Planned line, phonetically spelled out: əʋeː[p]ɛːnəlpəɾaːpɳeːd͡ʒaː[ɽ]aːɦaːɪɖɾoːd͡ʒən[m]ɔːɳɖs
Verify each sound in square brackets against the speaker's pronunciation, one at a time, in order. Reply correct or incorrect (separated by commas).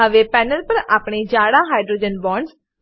correct, correct, incorrect